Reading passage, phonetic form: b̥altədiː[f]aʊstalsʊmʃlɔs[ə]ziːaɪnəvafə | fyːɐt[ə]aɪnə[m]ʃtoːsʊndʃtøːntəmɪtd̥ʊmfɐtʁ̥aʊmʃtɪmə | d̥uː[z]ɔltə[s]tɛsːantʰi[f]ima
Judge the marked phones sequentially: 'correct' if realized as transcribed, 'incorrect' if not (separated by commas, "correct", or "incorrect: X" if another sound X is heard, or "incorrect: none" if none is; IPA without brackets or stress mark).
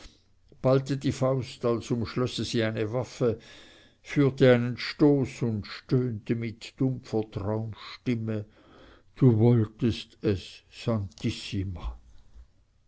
correct, correct, correct, incorrect: n, incorrect: v, correct, incorrect: s